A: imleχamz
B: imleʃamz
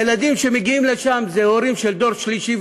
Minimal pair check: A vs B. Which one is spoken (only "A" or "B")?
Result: B